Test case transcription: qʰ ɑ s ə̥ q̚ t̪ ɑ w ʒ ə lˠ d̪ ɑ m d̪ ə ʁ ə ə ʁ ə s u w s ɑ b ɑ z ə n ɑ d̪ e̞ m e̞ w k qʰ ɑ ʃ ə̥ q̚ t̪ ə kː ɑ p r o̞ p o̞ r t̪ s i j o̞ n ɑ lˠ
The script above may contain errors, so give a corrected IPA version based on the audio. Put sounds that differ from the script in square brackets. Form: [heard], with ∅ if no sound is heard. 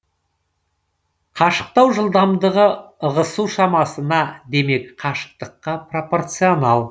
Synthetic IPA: qʰ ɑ [ʃ] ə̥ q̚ t̪ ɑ w ʒ ə lˠ d̪ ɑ m d̪ ə ʁ ə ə ʁ ə s u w [ʃ] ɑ [m] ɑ [s] ə n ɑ d̪ e̞ m e̞ [∅] k qʰ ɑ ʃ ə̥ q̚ t̪ ə [qː] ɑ p r o̞ p o̞ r t̪ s i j o̞ n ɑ lˠ